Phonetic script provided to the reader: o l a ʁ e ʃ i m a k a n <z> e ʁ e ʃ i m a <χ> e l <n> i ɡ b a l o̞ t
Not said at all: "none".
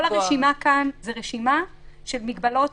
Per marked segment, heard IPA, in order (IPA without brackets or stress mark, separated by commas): z, ʃ, m